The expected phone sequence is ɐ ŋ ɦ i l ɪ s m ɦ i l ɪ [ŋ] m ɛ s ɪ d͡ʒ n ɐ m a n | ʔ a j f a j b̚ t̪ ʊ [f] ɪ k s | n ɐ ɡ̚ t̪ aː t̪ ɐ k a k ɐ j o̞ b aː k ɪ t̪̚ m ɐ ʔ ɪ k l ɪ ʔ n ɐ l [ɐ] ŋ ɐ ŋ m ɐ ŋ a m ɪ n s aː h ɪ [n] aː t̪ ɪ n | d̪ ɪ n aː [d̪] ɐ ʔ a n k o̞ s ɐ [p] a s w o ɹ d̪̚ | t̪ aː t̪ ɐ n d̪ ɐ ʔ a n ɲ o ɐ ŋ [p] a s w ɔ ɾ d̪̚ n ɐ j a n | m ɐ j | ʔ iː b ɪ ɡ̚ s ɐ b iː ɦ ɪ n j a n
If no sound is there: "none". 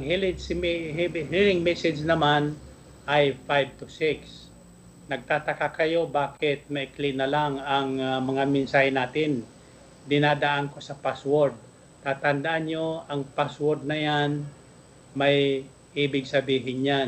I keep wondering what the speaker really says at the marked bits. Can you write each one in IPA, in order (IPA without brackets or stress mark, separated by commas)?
ŋ, s, a, n, d̪, p, p